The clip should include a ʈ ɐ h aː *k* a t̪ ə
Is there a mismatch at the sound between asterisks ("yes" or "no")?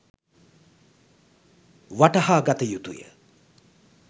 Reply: yes